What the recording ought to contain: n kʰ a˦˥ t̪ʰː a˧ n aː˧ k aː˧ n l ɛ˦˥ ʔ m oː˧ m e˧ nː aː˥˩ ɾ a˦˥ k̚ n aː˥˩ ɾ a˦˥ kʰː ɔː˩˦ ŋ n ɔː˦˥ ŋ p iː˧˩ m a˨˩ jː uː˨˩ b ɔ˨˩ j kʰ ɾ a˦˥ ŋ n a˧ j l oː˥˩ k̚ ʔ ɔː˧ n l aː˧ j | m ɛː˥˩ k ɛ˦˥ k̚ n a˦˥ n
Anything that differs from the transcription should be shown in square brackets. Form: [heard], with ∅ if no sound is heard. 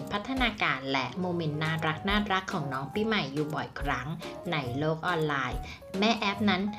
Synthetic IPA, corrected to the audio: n [pʰ] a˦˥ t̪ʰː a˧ n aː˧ k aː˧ n l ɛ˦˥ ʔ m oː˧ m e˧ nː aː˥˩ ɾ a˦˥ k̚ n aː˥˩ ɾ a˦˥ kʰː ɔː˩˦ ŋ n ɔː˦˥ ŋ p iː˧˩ m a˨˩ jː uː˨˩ b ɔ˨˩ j kʰ ɾ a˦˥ ŋ n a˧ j l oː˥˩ k̚ ʔ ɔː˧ n l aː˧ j | m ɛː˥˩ [ʔ] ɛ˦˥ [p̚] n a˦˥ n